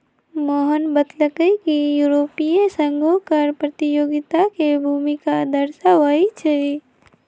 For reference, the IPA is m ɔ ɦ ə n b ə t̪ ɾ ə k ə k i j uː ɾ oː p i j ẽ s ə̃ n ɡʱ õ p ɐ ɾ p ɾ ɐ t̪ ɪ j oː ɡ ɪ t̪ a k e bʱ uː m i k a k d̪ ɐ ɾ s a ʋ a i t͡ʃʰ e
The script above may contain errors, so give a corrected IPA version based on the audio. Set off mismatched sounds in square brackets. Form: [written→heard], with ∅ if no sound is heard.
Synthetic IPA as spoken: m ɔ ɦ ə n b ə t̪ [ɾ→l] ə k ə k i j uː ɾ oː p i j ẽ s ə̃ [n→ŋ] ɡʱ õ [p→k] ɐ ɾ p ɾ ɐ t̪ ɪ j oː ɡ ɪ t̪ a k e bʱ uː m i k a [k→∅] d̪ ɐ ɾ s a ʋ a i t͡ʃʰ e

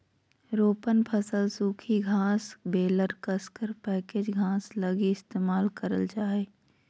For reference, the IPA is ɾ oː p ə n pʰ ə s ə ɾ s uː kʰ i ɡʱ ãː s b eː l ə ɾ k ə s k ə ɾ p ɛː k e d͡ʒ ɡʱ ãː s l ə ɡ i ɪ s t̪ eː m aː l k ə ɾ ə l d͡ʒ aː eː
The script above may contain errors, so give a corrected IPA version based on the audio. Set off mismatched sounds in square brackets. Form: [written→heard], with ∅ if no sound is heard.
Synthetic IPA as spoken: ɾ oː p ə n pʰ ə s ə [ɾ→l] s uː kʰ i ɡʱ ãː s b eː l ə ɾ k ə s k ə ɾ p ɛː k e d͡ʒ ɡʱ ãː s l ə ɡ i ɪ s t̪ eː m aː l k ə ɾ ə l d͡ʒ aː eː

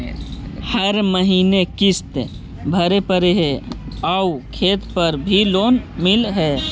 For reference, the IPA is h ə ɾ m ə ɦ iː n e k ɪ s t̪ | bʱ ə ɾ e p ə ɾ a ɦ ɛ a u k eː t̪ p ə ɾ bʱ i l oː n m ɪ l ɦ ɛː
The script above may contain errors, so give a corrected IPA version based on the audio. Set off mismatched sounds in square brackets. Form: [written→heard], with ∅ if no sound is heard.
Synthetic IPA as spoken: h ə ɾ m ə ɦ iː n e k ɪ s t̪ | bʱ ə ɾ e p ə ɾ [a→e] ɦ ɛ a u [k→kʰ] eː t̪ p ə ɾ bʱ i l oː n m ɪ l ɦ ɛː

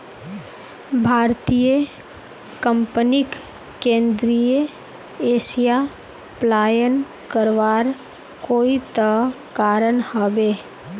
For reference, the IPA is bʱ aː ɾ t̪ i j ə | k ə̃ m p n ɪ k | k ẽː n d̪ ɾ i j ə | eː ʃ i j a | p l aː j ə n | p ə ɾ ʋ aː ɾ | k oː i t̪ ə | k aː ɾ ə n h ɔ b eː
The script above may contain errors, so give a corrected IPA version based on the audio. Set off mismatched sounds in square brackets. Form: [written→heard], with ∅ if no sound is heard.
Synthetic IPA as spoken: bʱ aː ɾ t̪ i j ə | k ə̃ m p n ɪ k | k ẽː n d̪ ɾ i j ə | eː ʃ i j a | p l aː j ə n | [p→k] ə ɾ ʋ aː ɾ | k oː i t̪ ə | k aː ɾ ə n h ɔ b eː

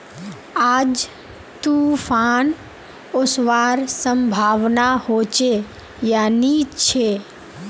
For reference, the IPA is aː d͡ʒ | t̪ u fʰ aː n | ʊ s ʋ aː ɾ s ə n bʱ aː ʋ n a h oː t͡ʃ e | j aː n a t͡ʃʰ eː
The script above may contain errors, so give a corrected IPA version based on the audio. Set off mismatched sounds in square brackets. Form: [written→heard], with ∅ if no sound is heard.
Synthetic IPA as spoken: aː d͡ʒ | t̪ u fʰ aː n | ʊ s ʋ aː ɾ s ə [n→m] bʱ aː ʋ n a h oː t͡ʃ e | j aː n [a→i] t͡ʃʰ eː

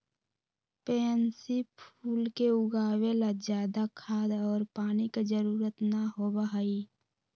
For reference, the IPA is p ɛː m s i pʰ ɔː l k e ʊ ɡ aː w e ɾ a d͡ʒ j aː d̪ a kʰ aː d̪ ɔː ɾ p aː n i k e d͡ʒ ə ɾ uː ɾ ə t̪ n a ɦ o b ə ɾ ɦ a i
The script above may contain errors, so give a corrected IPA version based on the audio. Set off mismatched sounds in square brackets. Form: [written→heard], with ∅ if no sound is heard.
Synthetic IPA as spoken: p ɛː [m→n] s i pʰ [ɔː→uː] l k e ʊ ɡ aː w e [ɾ→l] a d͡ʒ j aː d̪ a kʰ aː d̪ ɔː ɾ p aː n i k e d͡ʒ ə ɾ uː ɾ ə t̪ n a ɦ o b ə [ɾ→∅] ɦ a i

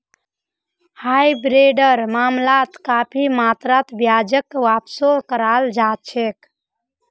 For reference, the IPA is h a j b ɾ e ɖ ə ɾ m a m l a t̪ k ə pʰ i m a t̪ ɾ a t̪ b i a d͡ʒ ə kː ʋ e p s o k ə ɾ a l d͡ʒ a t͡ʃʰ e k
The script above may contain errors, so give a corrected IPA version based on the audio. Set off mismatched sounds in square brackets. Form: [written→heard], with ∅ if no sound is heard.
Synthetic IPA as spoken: h a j b ɾ e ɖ ə ɾ m a m l a t̪ k [ə→a] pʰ i m a t̪ ɾ a t̪ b [i→j] a d͡ʒ ə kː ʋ [e→a] p s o k ə ɾ a l d͡ʒ a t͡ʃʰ e k

